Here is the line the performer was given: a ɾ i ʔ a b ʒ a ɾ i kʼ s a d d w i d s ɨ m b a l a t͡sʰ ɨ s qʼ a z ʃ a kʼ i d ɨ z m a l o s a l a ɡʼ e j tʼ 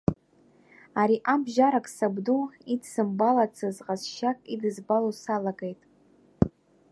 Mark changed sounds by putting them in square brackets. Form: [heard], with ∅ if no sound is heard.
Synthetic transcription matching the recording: a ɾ i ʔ a b ʒ a ɾ [a] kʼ s a [b] d [u] i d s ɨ m b a l a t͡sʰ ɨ [z] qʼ a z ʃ a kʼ i d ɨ z [b] a l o s a l a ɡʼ e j tʼ